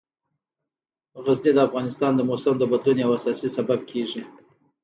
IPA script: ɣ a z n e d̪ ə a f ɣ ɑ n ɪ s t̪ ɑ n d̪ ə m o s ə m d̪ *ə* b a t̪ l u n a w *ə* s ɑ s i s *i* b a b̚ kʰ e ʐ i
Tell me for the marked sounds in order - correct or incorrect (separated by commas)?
correct, incorrect, incorrect